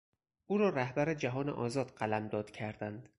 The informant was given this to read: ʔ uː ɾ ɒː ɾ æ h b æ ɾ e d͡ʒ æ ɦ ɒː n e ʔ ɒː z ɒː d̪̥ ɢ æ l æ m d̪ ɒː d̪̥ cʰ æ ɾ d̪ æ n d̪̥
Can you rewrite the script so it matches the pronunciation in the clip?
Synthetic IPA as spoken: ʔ uː ɾ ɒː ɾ æ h b æ ɾ e d͡ʒ æ ɦ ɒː n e ʔ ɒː z ɒː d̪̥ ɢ æ l æ m d̪ ɒː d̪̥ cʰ æ ɾ d̪ æ n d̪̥